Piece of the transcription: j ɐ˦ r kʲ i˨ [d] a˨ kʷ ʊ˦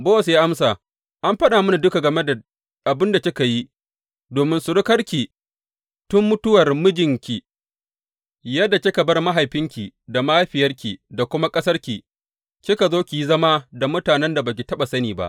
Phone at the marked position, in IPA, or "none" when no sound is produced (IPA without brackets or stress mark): d